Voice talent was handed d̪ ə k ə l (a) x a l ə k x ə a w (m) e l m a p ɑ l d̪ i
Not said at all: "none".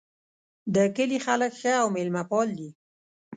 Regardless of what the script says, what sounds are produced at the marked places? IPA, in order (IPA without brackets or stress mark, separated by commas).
i, m